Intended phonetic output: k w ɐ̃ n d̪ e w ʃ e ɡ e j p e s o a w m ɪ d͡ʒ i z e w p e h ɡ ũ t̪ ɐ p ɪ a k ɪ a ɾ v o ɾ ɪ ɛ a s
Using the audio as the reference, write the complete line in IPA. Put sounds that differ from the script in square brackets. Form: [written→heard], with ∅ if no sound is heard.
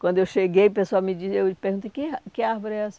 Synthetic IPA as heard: k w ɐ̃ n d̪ e w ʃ e ɡ e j p e s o a w m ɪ d͡ʒ i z e w p e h ɡ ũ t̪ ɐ [p→k] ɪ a k ɪ a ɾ v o ɾ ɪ ɛ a s

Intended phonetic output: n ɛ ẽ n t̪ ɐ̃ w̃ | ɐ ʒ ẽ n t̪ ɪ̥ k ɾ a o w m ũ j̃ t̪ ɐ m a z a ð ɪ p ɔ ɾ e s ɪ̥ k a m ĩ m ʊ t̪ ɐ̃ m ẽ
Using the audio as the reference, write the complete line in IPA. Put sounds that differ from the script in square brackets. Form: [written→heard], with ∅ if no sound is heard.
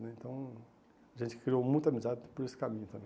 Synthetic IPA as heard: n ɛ ẽ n t̪ ɐ̃ w̃ | ɐ ʒ ẽ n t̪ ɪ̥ k ɾ [a→i] o w m ũ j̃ t̪ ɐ m [a→i] z a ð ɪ p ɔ ɾ e s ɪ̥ k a m ĩ [m→ɲ] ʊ t̪ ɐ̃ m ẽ

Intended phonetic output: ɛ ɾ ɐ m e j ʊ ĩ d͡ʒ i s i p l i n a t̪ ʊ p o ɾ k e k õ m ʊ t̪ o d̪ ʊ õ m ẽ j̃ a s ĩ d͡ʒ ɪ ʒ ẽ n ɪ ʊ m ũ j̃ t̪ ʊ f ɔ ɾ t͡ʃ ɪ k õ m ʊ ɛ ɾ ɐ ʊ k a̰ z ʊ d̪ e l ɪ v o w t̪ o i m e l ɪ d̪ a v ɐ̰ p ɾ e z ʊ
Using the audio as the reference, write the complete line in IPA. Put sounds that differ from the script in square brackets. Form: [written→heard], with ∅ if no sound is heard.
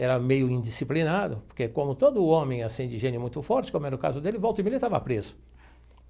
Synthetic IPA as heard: ɛ ɾ ɐ m e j ʊ ĩ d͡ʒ i s i p l i n a [t̪→d̪] ʊ p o ɾ k e k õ m ʊ t̪ o d̪ ʊ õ m ẽ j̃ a s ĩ d͡ʒ ɪ ʒ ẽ n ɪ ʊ m ũ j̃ t̪ ʊ f ɔ ɾ t͡ʃ ɪ k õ m ʊ ɛ ɾ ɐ ʊ k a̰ z ʊ d̪ e l ɪ v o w t̪ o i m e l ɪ [d̪→t̪] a v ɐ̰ p ɾ e z ʊ

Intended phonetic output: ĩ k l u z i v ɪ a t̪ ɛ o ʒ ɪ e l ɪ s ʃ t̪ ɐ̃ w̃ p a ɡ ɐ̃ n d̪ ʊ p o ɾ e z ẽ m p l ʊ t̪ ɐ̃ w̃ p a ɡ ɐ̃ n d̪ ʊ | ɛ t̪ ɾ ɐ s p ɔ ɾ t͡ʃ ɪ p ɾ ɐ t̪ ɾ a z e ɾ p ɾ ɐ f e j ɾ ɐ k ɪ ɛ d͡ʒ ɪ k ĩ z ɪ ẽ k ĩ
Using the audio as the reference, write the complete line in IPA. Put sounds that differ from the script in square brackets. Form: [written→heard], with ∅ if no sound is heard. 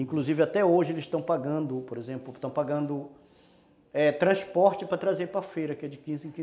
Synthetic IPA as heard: ĩ k l u z i v ɪ a t̪ ɛ o ʒ ɪ e l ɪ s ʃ t̪ ɐ̃ w̃ p a ɡ ɐ̃ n d̪ ʊ p o ɾ e z ẽ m p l ʊ t̪ ɐ̃ w̃ p a ɡ ɐ̃ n d̪ ʊ | ɛ t̪ ɾ [ɐ→ɐ̃] s p ɔ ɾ t͡ʃ ɪ p ɾ ɐ t̪ ɾ a z e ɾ p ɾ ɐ f e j ɾ ɐ k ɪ ɛ d͡ʒ ɪ k ĩ z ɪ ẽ k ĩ

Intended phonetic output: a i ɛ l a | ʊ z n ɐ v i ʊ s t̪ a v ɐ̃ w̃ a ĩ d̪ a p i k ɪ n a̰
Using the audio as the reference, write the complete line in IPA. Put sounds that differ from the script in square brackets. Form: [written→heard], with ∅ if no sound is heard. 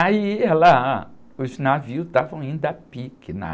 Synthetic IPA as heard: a i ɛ l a | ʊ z n [ɐ→a] v i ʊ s t̪ a v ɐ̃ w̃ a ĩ d̪ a p i k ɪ n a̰

